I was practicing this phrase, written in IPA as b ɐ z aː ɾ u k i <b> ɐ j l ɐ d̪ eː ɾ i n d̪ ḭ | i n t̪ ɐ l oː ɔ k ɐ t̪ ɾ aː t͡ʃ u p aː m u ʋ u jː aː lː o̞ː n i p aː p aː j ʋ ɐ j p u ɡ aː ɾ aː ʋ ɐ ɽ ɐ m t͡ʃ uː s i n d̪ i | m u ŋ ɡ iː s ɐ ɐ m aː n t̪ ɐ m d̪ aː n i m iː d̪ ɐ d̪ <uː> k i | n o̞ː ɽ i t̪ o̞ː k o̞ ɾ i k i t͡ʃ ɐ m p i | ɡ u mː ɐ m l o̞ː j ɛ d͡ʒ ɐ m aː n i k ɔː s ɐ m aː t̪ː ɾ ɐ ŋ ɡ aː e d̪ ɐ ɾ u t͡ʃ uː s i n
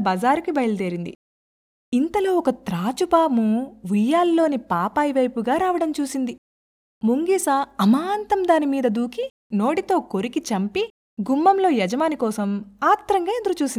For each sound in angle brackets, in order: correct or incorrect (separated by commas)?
correct, correct